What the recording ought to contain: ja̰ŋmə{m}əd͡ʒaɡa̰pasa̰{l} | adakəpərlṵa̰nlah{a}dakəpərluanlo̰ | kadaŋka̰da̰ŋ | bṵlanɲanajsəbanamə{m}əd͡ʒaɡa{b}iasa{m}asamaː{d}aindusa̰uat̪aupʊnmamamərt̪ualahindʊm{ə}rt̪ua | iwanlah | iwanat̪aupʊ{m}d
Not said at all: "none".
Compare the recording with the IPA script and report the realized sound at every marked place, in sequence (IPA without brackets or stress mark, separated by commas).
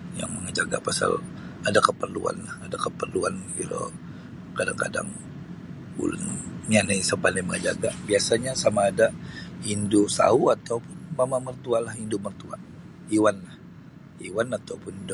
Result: ŋ, l, a, ŋ, b, ɲ, d, ə, n